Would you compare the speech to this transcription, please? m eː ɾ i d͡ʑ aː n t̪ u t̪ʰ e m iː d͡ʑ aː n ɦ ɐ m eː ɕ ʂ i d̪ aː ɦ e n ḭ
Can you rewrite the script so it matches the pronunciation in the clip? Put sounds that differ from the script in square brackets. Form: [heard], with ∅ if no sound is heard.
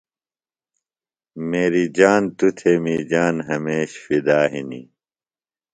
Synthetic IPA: m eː ɾ i d͡ʑ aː n t̪ u t̪ʰ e m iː d͡ʑ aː n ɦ ɐ m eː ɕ [f] i d̪ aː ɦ [i] n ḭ